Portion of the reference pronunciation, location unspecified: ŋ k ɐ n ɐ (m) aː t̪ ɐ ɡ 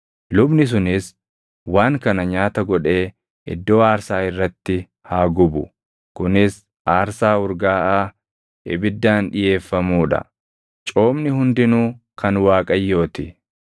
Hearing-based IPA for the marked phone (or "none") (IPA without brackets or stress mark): ɲ